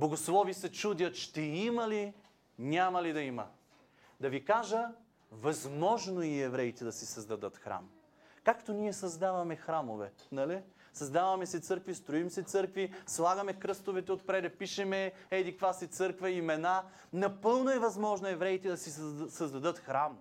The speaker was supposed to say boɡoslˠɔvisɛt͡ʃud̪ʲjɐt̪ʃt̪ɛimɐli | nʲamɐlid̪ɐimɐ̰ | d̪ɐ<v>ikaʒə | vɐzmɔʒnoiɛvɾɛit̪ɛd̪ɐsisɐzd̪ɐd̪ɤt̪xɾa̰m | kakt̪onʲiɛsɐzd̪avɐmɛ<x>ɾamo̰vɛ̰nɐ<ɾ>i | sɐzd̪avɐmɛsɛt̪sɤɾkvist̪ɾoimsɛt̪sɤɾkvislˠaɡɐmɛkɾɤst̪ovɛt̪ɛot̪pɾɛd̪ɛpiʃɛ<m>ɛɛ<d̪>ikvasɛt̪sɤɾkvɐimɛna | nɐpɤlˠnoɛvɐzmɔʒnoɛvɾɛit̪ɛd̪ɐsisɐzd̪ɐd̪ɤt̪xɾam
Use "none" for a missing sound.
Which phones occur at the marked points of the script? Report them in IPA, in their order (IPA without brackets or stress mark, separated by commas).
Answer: v, x, l, m, d̪